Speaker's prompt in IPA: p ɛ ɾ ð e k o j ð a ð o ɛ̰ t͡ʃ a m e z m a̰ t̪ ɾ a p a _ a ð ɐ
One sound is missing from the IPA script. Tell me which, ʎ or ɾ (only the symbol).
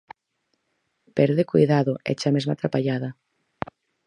ʎ